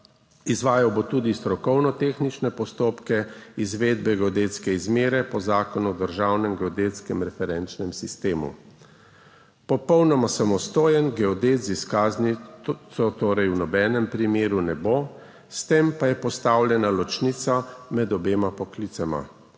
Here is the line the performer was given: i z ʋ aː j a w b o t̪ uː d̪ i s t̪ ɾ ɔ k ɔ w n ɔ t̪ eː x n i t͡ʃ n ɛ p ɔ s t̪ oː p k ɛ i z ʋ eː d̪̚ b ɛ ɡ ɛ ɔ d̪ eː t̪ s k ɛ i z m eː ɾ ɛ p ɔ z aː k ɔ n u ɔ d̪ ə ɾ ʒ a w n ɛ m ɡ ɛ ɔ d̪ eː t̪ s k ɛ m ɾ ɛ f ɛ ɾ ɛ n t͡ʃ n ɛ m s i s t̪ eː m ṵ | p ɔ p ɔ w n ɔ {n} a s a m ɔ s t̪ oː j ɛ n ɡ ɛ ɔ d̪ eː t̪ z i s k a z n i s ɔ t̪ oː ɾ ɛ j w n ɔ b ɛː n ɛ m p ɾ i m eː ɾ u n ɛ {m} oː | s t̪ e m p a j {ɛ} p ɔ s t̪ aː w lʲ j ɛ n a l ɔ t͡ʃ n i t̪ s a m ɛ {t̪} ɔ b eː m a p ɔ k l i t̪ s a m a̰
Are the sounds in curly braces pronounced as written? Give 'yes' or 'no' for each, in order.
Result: no, no, yes, no

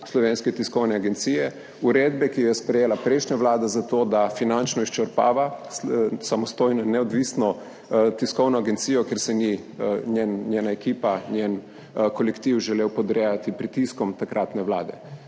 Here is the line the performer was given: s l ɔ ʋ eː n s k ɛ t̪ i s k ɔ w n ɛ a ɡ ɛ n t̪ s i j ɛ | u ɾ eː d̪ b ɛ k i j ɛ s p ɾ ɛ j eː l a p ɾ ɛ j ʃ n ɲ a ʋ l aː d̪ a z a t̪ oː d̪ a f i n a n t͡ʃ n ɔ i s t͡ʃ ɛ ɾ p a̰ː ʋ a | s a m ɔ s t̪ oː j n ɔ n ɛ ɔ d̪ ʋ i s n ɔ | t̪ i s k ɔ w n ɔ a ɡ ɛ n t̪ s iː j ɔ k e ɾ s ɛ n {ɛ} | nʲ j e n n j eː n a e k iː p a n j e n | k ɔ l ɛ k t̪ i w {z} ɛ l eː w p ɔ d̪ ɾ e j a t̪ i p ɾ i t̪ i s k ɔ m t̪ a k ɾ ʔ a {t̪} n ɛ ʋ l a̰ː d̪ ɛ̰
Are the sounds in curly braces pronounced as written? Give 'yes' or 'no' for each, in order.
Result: no, no, yes

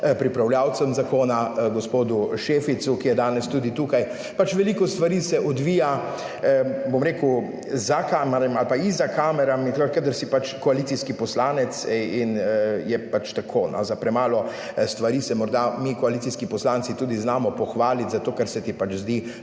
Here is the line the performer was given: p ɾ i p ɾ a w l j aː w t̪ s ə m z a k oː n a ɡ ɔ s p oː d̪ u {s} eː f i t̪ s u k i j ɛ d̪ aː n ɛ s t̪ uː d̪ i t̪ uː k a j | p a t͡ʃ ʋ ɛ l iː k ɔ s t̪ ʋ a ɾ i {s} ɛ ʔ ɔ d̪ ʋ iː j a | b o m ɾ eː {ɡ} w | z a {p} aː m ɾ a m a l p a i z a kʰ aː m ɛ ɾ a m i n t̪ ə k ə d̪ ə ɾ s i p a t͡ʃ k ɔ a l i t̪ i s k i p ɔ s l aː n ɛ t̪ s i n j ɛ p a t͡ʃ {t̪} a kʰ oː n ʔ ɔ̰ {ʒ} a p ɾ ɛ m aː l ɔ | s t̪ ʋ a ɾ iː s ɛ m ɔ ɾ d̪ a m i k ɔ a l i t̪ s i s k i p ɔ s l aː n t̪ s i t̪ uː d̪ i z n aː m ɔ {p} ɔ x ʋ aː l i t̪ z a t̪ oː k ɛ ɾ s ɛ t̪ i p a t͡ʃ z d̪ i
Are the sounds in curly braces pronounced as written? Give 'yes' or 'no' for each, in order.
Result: no, yes, no, no, yes, no, yes

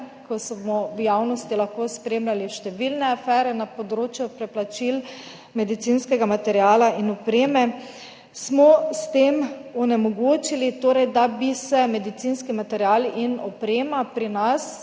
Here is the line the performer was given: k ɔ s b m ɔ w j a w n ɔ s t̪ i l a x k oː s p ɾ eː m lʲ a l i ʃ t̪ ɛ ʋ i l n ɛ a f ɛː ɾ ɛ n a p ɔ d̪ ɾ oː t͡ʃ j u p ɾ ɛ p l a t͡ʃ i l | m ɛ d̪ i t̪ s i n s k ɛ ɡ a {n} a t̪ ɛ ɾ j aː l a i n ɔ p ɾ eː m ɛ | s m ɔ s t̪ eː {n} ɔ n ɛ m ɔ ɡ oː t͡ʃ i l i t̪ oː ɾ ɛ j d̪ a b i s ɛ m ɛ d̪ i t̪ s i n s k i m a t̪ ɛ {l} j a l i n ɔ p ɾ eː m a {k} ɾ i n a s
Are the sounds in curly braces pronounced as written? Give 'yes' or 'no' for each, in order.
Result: no, no, no, no

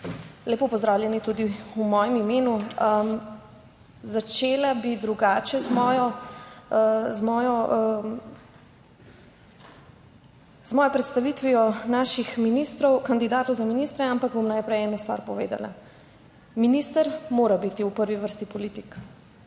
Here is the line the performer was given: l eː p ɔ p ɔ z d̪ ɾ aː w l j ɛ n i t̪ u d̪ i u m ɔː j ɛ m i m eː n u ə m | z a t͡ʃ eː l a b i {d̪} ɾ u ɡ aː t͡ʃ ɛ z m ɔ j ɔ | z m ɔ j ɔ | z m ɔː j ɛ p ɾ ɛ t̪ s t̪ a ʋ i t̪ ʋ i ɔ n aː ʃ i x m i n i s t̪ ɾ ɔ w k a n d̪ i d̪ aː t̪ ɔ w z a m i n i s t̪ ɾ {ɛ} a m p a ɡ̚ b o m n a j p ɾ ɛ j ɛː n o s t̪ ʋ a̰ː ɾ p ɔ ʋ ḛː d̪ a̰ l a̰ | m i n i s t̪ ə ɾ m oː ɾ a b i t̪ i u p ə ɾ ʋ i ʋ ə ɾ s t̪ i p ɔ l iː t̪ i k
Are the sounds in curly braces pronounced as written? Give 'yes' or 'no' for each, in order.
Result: yes, yes

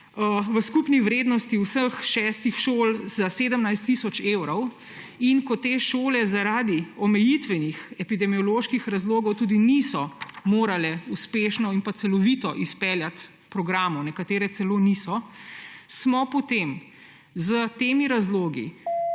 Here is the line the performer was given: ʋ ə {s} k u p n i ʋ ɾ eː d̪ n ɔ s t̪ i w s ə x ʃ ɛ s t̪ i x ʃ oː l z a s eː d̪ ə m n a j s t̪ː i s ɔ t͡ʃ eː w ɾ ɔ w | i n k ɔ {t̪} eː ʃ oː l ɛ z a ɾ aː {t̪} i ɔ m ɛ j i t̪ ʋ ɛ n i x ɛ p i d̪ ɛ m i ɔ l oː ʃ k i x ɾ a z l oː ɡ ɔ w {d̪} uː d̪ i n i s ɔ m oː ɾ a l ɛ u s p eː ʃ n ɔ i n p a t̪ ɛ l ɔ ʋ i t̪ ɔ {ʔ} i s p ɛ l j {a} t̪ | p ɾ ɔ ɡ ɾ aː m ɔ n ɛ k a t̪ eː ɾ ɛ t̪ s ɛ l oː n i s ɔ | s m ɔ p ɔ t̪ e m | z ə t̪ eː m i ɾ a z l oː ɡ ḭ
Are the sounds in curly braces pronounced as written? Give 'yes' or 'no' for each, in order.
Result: yes, yes, no, no, yes, yes

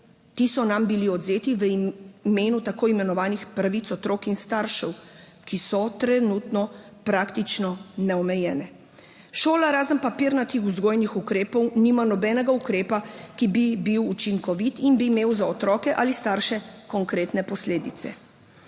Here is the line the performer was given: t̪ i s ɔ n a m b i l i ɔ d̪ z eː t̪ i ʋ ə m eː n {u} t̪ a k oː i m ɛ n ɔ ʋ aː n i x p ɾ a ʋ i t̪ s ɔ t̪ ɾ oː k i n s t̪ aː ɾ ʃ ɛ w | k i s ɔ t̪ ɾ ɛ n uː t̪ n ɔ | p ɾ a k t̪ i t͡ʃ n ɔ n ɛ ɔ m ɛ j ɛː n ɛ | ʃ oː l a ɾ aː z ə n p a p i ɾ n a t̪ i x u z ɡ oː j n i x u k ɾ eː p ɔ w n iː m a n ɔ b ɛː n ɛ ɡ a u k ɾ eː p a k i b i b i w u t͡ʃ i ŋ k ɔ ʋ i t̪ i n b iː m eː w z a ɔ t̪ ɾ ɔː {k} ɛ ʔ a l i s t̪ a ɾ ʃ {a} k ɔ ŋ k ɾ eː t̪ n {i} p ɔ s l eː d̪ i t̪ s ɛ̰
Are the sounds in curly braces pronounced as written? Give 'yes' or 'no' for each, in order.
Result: yes, yes, no, no

